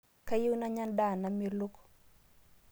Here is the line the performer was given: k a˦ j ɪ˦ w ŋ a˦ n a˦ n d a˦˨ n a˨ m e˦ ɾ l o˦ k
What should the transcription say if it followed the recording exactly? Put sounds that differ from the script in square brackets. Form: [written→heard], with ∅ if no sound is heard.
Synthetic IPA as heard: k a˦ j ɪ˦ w [ŋ→n] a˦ [n→ɲ] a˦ n d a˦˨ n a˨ m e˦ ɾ l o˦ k